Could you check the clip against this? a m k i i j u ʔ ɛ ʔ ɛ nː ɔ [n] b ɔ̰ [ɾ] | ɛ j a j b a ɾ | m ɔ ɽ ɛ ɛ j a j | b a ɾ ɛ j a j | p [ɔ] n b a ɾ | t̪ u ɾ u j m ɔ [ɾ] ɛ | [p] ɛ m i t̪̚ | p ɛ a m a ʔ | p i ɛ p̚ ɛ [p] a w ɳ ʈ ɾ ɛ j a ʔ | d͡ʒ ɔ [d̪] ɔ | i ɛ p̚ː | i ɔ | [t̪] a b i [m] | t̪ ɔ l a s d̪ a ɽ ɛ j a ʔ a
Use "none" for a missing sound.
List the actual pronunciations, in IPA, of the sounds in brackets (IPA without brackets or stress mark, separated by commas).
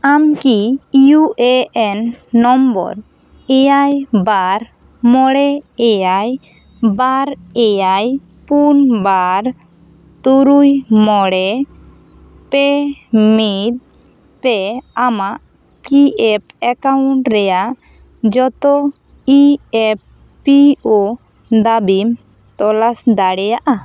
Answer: m, ɾ, u, ɽ, p, k, t̪, d̪, m